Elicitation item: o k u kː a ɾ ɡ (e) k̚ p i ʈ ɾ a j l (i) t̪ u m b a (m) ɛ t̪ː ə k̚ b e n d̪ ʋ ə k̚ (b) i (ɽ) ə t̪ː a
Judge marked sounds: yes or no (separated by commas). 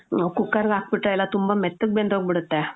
no, no, yes, yes, yes